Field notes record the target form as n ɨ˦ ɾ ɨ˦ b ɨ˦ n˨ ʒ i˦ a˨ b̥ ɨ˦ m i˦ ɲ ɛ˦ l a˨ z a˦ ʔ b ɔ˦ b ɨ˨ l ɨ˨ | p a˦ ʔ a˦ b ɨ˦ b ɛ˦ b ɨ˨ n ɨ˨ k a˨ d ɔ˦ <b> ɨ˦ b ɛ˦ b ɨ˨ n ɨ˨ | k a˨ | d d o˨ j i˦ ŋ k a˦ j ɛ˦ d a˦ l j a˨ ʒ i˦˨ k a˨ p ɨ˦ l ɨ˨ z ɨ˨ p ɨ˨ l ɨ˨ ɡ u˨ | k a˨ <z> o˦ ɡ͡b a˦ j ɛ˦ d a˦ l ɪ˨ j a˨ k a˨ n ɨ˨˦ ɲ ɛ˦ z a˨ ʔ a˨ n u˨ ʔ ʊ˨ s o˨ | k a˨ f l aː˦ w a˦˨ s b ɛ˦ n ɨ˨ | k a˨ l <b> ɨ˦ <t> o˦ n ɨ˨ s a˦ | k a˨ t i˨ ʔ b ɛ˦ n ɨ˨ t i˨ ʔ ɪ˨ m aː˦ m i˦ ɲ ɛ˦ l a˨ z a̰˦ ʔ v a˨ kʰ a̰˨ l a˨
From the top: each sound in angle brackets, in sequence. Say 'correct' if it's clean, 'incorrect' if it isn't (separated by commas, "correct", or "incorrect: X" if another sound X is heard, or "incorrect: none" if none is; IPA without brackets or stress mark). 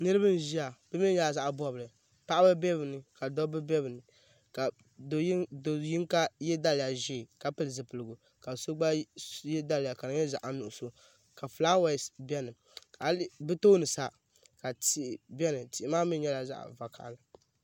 correct, incorrect: s, correct, correct